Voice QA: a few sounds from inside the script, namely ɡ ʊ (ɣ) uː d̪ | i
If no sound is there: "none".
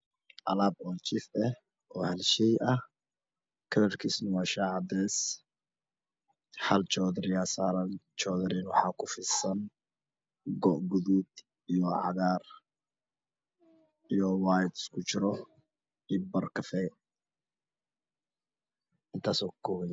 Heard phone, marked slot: ð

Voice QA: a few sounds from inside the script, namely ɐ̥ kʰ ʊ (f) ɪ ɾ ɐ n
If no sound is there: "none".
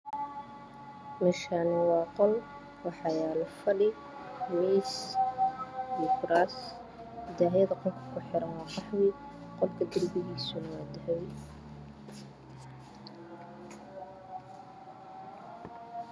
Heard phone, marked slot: ħ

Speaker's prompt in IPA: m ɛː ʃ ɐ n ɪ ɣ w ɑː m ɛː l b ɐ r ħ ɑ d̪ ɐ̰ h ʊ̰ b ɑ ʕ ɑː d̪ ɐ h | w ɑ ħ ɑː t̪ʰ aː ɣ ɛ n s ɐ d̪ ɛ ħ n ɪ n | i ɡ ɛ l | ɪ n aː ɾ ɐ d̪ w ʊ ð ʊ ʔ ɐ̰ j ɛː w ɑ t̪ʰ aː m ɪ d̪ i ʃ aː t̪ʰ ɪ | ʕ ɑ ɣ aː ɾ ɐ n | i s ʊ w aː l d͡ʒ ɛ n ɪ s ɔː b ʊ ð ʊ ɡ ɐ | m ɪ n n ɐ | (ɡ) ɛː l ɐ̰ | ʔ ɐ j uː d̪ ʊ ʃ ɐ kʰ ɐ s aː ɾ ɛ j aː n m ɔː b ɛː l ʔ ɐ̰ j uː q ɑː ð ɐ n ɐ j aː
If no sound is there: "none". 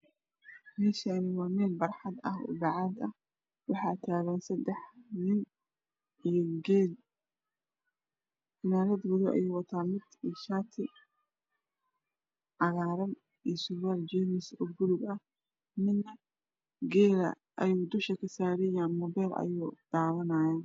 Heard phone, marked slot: ɡ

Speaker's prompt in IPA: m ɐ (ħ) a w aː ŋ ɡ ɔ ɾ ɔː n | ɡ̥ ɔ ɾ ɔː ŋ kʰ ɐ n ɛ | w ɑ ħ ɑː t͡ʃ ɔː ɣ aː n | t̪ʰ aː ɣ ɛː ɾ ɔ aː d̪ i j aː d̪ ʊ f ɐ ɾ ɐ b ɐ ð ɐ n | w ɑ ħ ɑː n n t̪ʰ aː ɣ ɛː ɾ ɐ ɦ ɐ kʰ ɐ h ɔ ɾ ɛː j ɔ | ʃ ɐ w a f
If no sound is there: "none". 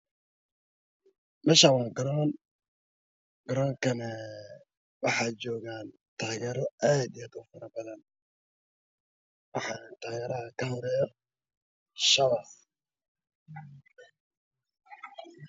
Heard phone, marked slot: ʃ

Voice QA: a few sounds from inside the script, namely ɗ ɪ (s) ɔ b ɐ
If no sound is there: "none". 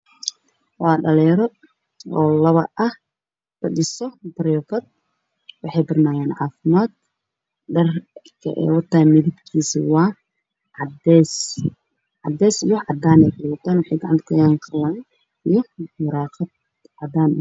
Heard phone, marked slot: s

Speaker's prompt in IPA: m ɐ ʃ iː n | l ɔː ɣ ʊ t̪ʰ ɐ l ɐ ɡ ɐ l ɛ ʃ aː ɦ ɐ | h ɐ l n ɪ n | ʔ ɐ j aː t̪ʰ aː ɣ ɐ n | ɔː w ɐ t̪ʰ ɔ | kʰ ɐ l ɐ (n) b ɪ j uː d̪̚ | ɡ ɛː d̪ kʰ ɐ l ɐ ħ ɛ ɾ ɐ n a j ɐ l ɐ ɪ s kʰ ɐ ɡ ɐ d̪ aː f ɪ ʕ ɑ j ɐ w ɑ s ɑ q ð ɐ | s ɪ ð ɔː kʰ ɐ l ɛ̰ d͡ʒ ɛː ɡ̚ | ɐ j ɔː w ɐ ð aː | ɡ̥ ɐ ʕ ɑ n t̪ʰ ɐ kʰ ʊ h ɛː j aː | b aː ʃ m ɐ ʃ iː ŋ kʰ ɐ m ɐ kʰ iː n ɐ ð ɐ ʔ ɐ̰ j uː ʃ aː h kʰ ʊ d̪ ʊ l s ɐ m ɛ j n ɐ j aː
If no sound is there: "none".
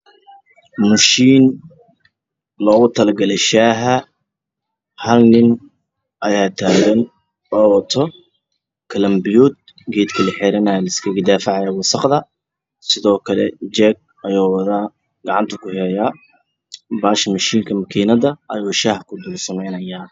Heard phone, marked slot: m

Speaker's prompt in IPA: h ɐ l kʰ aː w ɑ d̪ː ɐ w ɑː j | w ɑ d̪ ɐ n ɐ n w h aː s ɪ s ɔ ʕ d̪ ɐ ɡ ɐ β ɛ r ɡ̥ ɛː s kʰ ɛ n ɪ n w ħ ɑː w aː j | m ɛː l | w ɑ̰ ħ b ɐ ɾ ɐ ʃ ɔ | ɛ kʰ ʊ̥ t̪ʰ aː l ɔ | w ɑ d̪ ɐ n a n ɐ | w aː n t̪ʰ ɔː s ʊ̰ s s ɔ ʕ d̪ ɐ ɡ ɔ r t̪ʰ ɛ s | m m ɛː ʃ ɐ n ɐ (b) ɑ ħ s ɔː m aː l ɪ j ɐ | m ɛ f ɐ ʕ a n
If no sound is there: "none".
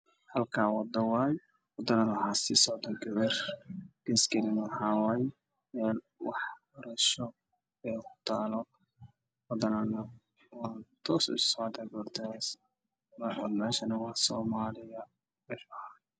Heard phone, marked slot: w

